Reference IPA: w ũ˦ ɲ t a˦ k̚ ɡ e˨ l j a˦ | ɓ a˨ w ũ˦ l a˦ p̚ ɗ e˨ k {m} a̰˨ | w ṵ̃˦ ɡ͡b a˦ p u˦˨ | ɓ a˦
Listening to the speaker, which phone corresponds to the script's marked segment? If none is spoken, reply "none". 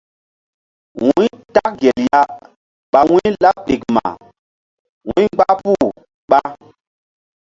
m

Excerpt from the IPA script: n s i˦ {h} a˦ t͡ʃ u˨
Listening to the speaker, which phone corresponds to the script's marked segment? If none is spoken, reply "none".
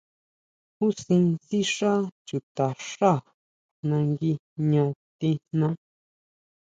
ʂ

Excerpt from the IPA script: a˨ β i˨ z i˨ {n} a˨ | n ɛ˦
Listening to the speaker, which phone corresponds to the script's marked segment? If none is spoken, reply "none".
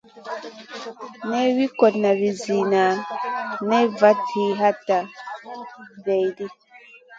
n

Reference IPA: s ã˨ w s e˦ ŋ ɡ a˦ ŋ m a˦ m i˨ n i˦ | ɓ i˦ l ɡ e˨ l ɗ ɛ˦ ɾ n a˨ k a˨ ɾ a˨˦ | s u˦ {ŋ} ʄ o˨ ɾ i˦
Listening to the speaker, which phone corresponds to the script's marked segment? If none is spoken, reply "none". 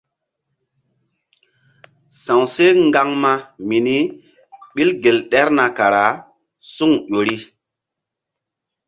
ŋ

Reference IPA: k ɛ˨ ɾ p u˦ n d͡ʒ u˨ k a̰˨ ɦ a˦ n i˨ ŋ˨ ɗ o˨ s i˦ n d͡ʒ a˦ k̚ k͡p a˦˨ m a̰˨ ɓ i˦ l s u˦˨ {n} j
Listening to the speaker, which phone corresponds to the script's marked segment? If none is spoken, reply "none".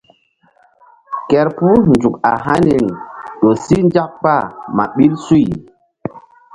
none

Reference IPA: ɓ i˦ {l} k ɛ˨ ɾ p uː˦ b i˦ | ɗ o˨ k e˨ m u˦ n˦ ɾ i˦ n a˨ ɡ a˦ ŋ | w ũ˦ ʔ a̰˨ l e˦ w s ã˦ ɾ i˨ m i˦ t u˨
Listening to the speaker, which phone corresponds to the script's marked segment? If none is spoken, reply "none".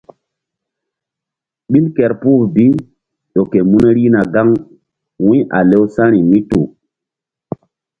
l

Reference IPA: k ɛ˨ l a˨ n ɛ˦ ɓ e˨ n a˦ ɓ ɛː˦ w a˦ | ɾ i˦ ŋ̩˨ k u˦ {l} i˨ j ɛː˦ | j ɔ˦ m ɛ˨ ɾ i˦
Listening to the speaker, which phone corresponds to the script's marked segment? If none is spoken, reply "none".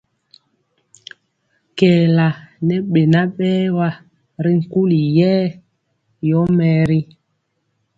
l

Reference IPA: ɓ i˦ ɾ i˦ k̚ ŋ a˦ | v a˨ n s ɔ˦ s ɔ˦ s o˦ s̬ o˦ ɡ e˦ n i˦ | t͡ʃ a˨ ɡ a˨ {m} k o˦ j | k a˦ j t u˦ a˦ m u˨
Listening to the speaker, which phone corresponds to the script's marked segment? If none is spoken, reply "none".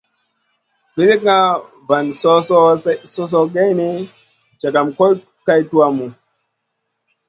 m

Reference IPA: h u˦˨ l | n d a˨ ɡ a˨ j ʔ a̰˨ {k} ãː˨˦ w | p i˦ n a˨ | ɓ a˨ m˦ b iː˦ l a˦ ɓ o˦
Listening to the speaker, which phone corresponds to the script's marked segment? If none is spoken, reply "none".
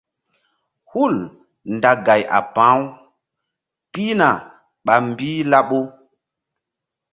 p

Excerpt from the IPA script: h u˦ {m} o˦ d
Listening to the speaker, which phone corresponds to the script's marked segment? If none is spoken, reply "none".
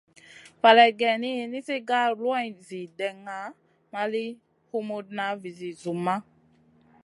m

